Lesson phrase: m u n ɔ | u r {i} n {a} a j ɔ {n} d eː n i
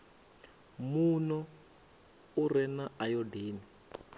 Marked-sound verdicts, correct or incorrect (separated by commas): incorrect, correct, incorrect